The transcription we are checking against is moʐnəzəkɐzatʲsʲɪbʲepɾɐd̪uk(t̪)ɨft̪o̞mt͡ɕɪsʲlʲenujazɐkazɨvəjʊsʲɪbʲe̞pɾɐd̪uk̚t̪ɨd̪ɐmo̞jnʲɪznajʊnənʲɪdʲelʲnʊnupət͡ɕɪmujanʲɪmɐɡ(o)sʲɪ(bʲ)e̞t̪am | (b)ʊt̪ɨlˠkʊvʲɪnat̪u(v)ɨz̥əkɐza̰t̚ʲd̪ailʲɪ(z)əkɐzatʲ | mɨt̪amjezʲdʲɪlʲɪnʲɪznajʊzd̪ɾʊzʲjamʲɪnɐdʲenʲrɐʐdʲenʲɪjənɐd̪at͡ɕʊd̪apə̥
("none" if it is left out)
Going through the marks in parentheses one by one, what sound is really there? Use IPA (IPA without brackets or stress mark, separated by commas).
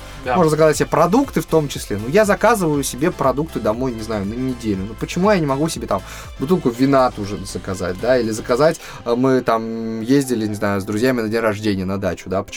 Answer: t̪, u, bʲ, b, ʐ, z